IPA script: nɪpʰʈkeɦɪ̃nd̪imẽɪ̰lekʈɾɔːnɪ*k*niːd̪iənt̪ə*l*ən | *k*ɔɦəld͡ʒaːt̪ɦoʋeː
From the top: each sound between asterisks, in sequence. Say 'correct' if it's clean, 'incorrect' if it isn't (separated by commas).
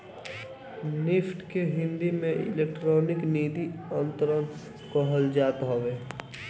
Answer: correct, incorrect, correct